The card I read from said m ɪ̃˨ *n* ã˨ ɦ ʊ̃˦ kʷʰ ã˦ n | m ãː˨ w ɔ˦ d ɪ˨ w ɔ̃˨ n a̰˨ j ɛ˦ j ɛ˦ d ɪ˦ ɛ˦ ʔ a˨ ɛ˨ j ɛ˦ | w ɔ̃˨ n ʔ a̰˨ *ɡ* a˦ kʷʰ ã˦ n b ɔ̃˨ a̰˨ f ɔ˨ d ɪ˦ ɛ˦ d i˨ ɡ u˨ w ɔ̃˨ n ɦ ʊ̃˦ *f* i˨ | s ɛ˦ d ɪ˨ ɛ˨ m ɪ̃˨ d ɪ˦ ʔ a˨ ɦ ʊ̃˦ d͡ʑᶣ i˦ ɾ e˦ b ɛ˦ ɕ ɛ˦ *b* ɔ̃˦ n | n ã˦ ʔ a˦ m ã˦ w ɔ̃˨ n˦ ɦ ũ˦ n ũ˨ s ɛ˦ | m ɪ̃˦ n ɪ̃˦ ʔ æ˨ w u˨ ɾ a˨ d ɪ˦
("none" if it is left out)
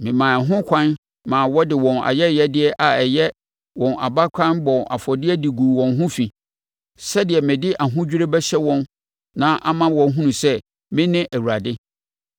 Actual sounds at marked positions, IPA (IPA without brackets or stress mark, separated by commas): m, b, f, w